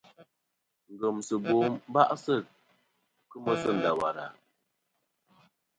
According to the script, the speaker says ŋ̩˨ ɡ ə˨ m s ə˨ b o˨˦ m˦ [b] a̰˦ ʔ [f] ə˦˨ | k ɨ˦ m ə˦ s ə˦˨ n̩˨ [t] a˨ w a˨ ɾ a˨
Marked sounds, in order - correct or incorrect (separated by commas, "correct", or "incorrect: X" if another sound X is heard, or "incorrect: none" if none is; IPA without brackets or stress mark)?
correct, incorrect: s, incorrect: d